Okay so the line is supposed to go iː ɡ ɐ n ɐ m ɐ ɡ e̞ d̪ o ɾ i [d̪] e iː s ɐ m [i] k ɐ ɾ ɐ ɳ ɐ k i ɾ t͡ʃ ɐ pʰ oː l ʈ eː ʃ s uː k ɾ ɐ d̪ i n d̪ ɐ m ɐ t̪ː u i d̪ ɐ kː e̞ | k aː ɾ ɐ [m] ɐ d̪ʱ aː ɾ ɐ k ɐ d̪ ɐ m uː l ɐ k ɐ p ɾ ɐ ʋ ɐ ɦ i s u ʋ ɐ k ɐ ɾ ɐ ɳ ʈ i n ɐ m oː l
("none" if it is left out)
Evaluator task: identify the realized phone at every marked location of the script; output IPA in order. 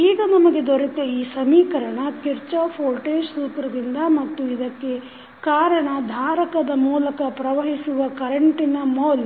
t̪, iː, ɳ

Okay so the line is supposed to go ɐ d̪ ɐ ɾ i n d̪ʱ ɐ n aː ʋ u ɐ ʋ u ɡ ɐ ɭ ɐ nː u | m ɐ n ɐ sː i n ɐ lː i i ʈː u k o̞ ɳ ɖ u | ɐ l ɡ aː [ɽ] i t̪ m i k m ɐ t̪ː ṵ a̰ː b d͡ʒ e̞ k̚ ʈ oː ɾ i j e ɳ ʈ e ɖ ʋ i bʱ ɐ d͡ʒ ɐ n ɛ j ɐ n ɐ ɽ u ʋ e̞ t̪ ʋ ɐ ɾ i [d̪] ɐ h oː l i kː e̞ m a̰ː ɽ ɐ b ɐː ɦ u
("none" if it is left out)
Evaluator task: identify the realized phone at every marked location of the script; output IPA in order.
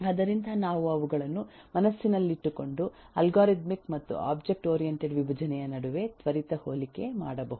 ɾ, t̪

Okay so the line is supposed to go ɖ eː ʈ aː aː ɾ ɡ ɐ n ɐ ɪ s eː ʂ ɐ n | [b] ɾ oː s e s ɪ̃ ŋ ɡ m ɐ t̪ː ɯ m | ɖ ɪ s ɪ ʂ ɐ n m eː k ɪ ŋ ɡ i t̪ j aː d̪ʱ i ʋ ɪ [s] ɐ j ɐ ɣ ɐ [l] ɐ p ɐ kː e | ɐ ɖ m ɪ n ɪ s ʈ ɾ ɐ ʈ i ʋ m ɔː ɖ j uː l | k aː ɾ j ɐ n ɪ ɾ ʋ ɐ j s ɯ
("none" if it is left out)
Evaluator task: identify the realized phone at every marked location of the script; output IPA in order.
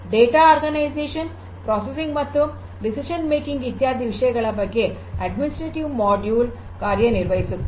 p, ʂ, ɭ

